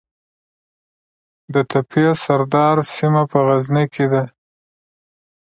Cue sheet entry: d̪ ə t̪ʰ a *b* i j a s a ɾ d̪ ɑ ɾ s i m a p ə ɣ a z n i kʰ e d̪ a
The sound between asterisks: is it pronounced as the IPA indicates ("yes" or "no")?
no